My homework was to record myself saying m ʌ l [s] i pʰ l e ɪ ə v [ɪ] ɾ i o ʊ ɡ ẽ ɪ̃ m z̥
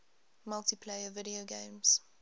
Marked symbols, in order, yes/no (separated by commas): no, yes